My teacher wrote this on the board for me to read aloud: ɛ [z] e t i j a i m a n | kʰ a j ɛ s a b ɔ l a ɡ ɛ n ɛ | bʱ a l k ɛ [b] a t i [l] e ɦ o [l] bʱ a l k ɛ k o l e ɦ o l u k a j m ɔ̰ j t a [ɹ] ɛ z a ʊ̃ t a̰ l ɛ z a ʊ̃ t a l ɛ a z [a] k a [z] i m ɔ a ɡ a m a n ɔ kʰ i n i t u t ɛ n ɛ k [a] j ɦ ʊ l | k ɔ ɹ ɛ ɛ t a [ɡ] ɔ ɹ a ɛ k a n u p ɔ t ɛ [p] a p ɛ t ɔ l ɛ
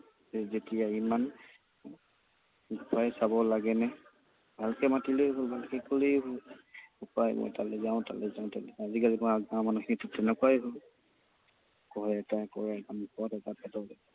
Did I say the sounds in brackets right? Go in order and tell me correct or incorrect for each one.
correct, incorrect: m, correct, correct, incorrect: l, incorrect: i, correct, correct, incorrect: k, incorrect: t

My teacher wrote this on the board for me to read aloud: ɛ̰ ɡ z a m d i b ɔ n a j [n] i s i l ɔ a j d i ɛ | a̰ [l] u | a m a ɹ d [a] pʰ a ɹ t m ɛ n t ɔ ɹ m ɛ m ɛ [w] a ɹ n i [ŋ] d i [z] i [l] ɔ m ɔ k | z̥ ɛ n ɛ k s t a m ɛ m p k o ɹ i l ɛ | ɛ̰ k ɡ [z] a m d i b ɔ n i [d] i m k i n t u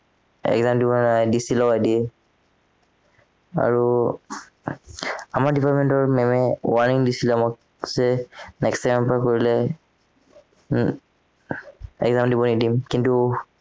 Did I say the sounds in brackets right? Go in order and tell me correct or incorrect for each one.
incorrect: d, incorrect: ɹ, incorrect: i, correct, correct, incorrect: s, correct, correct, correct

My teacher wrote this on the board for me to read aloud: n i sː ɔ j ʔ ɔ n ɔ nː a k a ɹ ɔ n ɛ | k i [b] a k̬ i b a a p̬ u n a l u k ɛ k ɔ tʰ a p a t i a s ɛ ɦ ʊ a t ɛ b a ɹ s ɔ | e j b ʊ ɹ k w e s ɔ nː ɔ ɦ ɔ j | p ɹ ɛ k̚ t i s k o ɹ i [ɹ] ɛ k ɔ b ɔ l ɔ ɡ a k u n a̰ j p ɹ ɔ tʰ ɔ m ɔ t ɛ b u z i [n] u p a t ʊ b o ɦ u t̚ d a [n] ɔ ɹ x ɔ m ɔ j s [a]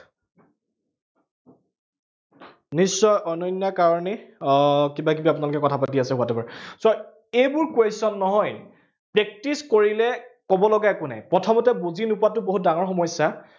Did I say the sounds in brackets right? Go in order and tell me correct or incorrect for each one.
correct, incorrect: l, correct, incorrect: ŋ, correct

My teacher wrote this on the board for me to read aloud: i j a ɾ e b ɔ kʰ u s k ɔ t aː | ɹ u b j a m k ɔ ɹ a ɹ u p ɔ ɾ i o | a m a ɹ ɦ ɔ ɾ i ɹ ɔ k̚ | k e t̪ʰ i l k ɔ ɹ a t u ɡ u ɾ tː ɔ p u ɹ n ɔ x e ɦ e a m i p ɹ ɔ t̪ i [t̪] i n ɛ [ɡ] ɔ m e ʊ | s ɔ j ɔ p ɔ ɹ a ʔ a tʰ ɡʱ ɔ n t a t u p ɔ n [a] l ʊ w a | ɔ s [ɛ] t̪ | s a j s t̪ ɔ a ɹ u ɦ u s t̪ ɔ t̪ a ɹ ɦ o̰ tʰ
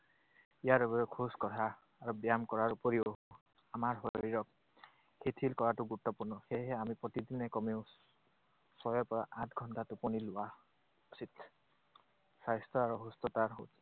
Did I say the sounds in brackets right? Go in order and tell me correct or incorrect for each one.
incorrect: d̪, incorrect: k, incorrect: i, incorrect: i

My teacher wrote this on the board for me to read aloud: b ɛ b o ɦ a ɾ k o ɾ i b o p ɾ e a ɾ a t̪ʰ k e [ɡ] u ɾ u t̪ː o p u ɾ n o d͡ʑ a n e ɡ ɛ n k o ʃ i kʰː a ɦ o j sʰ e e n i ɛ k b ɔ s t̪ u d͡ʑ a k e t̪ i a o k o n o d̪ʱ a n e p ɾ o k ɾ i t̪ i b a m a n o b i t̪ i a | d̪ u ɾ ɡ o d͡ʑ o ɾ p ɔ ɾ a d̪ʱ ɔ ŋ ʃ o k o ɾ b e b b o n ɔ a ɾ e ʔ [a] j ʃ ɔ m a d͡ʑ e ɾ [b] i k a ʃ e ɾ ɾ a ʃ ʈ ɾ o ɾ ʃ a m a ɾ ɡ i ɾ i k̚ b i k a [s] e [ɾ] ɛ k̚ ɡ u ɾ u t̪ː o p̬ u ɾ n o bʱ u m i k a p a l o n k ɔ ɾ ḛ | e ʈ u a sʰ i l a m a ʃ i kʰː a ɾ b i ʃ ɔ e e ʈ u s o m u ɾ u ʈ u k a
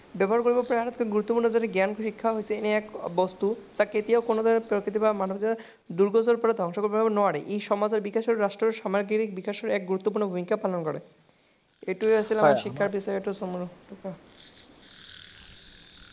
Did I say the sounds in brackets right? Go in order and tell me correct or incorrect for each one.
correct, incorrect: e, correct, incorrect: ʃ, correct

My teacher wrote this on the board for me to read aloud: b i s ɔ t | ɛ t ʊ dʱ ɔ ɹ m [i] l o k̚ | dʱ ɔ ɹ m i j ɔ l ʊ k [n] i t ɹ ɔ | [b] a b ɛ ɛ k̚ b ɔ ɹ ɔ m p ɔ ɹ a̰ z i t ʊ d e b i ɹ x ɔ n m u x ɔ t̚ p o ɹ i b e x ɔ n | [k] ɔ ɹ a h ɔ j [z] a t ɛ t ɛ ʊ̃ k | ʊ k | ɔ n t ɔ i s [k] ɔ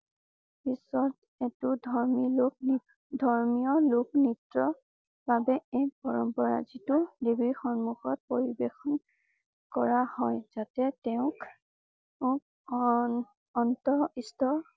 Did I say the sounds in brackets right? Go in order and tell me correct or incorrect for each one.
correct, correct, correct, correct, correct, incorrect: t

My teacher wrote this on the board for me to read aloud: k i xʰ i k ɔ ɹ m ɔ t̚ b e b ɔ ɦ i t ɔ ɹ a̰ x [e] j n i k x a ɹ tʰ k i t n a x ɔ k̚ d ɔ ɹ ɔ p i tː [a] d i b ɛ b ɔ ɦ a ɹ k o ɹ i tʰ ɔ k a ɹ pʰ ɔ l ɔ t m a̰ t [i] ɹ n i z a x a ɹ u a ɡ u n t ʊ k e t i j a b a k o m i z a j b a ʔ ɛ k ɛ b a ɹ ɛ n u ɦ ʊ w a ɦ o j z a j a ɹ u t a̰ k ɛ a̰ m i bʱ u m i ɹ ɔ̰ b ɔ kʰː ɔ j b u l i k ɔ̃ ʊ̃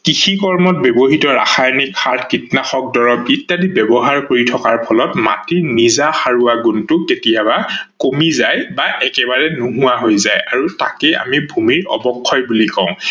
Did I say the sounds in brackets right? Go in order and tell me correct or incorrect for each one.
incorrect: a, correct, correct

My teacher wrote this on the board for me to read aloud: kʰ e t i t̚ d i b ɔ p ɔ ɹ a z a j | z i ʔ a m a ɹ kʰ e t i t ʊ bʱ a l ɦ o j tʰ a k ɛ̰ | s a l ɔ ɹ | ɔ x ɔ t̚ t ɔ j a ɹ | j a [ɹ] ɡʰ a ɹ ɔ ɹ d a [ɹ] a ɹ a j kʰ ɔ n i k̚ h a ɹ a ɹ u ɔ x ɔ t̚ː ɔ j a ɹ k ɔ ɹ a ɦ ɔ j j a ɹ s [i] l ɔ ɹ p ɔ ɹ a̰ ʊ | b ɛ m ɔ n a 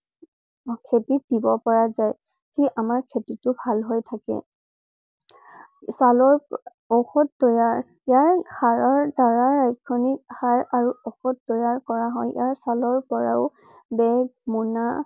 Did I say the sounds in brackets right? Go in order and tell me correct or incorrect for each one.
correct, correct, incorrect: a

